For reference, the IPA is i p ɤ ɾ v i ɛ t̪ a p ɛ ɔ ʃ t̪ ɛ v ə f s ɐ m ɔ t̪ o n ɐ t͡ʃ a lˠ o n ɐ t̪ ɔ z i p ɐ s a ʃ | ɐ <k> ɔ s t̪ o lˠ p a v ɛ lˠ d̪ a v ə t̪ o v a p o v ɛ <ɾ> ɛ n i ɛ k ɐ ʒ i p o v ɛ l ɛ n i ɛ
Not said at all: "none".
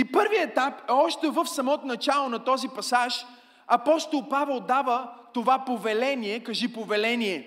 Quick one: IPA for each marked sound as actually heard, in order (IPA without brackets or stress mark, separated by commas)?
p, l